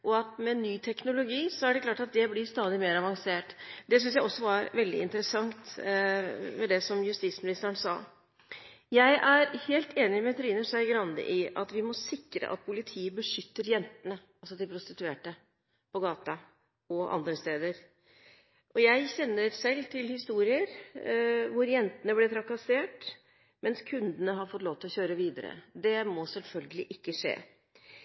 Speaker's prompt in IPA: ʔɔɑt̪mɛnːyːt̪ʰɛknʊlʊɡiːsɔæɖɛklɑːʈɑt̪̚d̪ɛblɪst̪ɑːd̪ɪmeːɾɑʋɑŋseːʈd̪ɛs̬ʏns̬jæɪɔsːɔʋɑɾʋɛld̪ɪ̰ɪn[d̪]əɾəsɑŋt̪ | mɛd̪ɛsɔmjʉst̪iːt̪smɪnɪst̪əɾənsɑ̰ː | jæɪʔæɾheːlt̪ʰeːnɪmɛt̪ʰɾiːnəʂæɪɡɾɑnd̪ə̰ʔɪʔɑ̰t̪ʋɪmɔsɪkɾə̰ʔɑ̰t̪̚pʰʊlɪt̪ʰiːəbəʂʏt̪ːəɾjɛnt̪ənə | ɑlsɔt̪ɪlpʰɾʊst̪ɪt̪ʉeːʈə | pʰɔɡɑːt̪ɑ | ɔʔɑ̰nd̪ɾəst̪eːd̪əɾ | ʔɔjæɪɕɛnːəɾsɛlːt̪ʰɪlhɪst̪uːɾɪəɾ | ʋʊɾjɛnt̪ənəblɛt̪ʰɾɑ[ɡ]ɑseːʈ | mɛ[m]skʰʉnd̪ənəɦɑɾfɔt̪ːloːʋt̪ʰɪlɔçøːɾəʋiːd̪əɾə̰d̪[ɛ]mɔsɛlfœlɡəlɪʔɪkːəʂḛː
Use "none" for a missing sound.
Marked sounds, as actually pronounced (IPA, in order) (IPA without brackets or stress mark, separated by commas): t̪, k, n, ɛ